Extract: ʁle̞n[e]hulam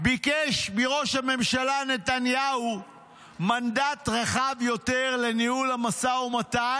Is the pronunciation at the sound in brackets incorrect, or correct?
incorrect: i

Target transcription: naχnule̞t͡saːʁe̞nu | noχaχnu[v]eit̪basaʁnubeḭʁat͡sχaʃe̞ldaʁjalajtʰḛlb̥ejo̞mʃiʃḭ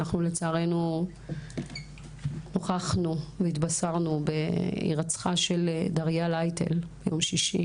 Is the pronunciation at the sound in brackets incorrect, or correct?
correct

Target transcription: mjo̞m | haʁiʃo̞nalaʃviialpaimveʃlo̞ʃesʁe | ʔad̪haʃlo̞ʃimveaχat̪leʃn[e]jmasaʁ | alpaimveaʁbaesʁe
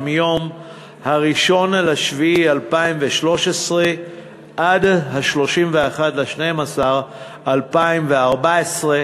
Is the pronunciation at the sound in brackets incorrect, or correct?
correct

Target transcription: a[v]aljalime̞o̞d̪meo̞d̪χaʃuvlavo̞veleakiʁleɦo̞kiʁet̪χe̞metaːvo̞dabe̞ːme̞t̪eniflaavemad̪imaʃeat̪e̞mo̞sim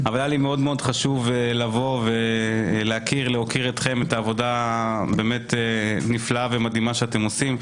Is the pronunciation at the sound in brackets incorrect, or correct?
correct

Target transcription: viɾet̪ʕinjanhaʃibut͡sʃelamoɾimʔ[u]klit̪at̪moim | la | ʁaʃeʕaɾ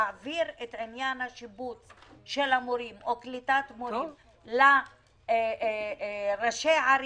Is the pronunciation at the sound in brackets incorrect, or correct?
incorrect: o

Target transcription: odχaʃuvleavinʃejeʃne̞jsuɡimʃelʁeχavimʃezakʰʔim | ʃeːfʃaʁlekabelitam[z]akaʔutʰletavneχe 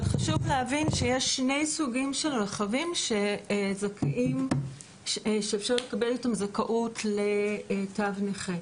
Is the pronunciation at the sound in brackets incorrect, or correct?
correct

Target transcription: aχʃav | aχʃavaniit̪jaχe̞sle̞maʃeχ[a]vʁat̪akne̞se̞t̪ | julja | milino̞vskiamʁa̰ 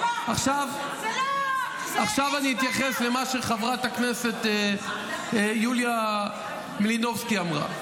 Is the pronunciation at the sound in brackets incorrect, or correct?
correct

